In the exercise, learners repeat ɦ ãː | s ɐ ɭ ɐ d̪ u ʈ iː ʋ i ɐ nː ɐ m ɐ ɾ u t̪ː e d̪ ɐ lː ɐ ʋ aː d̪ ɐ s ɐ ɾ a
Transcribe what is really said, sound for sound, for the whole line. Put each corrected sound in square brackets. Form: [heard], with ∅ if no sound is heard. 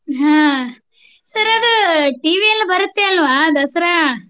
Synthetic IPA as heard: ɦ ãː | s ɐ [ɾ] ɐ d̪ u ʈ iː ʋ i ɐ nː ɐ [b] ɐ ɾ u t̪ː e [∅] ɐ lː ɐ ʋ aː d̪ ɐ s ɐ ɾ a